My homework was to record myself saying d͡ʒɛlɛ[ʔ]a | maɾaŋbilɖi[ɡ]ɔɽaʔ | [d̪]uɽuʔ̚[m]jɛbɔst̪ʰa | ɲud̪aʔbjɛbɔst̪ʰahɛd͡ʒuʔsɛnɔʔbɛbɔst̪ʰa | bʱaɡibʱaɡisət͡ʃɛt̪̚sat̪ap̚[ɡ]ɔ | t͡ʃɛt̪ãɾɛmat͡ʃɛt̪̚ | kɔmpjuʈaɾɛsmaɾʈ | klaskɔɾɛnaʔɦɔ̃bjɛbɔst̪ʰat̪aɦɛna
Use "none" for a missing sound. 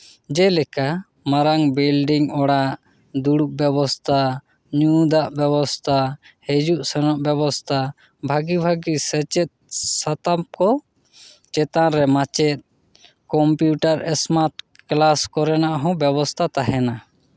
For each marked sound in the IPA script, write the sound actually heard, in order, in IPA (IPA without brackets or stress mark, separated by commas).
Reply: k, ŋ, d̪, b, k